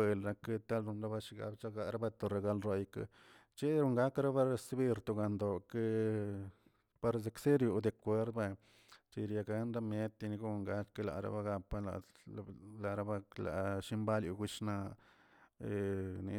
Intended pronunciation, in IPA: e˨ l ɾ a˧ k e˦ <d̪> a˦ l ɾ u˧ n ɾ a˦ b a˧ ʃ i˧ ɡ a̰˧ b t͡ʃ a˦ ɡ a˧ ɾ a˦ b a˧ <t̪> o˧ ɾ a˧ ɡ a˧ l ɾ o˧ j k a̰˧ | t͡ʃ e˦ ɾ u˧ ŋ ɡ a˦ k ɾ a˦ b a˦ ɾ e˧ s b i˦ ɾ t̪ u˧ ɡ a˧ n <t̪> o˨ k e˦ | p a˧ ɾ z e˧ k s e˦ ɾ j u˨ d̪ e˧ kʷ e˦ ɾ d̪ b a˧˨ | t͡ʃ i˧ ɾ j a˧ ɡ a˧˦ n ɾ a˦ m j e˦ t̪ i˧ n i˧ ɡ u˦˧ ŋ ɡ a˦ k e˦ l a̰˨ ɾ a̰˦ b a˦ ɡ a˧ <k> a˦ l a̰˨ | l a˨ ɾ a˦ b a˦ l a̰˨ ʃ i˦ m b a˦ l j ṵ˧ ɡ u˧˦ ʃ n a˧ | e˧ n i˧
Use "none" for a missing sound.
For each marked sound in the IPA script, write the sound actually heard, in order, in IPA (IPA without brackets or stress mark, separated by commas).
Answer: t̪, t̪, d̪, p